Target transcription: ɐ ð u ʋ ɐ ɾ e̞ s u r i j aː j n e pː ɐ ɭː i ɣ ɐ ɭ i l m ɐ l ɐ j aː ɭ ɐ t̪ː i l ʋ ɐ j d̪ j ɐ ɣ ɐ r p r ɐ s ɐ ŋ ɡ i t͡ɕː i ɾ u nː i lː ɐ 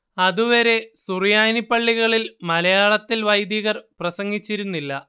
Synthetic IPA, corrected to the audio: ɐ ð u ʋ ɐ ɾ e̞ s u r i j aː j n i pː ɐ ɭː i ɣ ɐ ɭ i l m ɐ l ɐ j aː ɭ ɐ t̪ː i l ʋ ɐ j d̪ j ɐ ɣ ɐ r p r ɐ s ɐ ŋ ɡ i t͡ɕː i ɾ u nː i lː ɐ